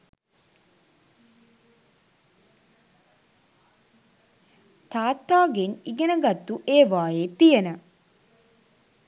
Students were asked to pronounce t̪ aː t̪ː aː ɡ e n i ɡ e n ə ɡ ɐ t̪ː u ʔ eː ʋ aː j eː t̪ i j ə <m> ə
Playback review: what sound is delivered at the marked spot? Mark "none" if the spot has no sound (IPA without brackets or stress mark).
n